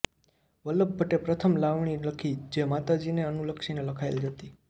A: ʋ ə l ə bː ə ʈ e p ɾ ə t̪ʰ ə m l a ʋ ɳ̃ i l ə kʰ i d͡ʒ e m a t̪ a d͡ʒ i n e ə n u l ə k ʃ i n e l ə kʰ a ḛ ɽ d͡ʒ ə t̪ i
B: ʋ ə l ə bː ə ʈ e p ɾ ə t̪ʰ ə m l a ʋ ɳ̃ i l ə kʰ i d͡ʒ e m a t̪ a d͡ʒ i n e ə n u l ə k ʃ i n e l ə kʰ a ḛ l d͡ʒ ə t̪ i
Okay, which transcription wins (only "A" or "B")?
B